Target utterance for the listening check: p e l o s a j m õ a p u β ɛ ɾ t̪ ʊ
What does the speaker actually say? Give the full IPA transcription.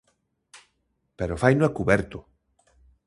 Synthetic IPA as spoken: p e ɾ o f a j n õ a k u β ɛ ɾ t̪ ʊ